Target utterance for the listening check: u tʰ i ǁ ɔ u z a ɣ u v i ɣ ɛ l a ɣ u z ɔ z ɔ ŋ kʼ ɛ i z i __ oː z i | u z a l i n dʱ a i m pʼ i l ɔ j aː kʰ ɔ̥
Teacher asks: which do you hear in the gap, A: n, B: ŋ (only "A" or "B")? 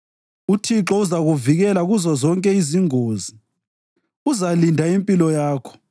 B